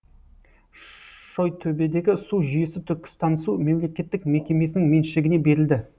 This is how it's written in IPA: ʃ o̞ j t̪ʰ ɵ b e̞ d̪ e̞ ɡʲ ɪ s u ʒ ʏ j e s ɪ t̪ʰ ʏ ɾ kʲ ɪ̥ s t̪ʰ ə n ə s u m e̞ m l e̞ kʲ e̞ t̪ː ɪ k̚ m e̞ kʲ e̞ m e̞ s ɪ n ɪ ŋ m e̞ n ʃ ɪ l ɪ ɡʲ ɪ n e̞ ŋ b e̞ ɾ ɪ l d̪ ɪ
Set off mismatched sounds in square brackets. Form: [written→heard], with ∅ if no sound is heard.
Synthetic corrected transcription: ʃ o̞ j t̪ʰ ɵ b e̞ d̪ e̞ ɡʲ ɪ s u ʒ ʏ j e s ɪ t̪ʰ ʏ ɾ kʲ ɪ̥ s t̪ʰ [ə→ɑ] n ə s u m e̞ m l e̞ kʲ e̞ t̪ː ɪ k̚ m e̞ kʲ e̞ m e̞ s ɪ n ɪ ŋ m e̞ n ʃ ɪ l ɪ ɡʲ ɪ n e̞ [ŋ→∅] b e̞ ɾ ɪ l d̪ ɪ